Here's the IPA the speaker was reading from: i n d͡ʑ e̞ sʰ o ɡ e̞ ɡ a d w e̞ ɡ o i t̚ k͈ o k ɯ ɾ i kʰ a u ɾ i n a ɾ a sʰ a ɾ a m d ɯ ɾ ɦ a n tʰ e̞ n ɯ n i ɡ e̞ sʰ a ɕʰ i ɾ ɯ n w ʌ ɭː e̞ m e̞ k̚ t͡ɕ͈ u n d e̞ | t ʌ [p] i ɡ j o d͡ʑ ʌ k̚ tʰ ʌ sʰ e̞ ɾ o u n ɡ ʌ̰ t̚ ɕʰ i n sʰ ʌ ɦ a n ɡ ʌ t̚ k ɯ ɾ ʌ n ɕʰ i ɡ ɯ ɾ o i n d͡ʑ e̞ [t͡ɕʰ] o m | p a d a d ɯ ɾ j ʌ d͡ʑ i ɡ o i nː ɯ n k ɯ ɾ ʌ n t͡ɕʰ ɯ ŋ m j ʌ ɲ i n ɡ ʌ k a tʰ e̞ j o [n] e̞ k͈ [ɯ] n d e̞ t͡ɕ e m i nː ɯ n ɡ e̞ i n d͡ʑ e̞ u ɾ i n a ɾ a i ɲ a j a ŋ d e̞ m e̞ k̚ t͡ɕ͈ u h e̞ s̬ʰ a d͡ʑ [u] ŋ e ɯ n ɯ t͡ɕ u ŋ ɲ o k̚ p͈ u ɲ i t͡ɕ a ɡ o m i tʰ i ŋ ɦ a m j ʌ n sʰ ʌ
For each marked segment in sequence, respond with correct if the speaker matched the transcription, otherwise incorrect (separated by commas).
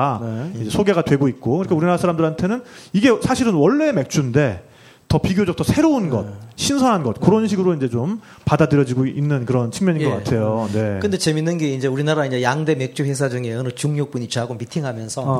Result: correct, incorrect, correct, correct, incorrect